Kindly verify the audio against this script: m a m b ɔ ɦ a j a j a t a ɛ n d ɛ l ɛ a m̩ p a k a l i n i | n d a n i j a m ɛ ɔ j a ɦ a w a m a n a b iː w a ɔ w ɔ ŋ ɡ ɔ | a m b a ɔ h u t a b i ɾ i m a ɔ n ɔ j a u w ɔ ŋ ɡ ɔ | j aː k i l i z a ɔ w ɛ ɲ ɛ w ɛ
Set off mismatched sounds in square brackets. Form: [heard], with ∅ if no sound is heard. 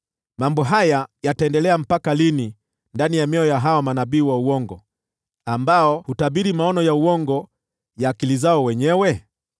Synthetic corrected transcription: m a m b ɔ ɦ a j a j a t a ɛ n d ɛ l ɛ a m̩ p a k a l i n i | n d a n i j a m ɛ ɔ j a ɦ a w a m a n a b iː w a [u] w ɔ ŋ ɡ ɔ | a m b a ɔ h u t a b i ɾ i m a ɔ n ɔ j a u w ɔ ŋ ɡ ɔ | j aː k i l i z a ɔ w ɛ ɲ ɛ w ɛ